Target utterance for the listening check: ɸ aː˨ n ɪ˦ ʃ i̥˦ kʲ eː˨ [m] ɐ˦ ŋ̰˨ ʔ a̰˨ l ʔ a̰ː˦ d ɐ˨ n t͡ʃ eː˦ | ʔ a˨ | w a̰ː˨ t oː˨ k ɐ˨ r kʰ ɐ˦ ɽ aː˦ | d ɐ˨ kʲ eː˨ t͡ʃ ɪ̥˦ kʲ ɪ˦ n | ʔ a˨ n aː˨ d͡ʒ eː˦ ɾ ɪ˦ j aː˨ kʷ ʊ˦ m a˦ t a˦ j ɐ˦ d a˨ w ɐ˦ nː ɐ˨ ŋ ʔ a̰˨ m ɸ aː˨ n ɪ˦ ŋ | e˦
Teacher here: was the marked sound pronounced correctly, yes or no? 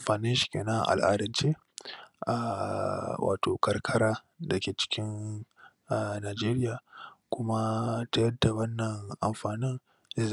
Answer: no